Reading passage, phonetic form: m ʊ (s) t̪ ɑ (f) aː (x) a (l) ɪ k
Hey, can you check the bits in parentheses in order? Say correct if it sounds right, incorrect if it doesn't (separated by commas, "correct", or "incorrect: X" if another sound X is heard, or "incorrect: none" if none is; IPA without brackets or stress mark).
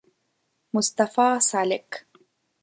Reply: correct, correct, incorrect: s, correct